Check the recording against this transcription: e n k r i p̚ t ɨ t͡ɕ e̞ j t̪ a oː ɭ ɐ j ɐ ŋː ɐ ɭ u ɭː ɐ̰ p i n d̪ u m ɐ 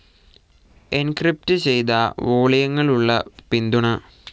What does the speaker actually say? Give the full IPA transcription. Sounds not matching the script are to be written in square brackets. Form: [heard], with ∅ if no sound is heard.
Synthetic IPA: e n k r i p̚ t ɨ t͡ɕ e̞ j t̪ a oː ɭ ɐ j ɐ ŋː ɐ ɭ u ɭː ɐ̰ p i n d̪ u [ɳ] ɐ

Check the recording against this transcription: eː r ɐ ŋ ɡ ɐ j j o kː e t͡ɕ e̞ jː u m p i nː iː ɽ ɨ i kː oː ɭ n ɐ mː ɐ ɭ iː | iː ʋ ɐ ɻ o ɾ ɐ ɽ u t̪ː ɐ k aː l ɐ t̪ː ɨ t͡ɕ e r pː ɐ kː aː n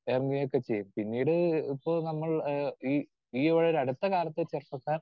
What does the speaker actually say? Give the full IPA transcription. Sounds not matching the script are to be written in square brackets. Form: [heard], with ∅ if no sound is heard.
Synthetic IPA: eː r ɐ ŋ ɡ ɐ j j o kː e t͡ɕ e̞ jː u m p i nː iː ɽ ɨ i [pː] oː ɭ n ɐ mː ɐ ɭ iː | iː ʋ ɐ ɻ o ɾ ɐ ɽ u t̪ː ɐ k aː l ɐ t̪ː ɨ t͡ɕ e r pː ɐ kː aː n

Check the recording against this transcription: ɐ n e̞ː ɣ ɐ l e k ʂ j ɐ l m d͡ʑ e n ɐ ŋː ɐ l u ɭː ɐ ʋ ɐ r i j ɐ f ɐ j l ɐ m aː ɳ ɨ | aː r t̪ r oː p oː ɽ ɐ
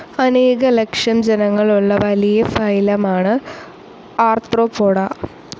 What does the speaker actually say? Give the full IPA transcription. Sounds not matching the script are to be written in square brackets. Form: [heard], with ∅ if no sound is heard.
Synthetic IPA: ɐ n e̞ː ɣ ɐ l e k ʂ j ɐ [∅] m d͡ʑ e n ɐ ŋː ɐ [ɭ] u ɭː ɐ ʋ ɐ [l] i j ɐ f ɐ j l ɐ m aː ɳ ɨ | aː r t̪ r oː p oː ɽ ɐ

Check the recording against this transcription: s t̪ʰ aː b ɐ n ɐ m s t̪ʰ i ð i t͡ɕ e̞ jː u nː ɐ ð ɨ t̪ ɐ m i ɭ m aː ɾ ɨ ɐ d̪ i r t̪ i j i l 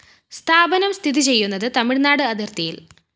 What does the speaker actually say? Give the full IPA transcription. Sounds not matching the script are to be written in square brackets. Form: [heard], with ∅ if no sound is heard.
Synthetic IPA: s t̪ʰ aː b ɐ n ɐ m s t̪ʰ i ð i t͡ɕ e̞ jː u nː ɐ ð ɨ t̪ ɐ m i ɭ [n] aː [ɽ] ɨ ɐ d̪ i r t̪ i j i l

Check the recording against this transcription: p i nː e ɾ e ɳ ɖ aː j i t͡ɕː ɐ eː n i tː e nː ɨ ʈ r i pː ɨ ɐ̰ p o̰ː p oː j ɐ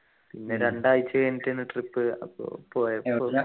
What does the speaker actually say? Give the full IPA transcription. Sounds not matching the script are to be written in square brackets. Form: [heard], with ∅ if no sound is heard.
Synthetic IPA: p i nː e ɾ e ɳ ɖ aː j i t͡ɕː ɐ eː n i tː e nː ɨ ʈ r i pː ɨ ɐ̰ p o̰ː p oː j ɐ

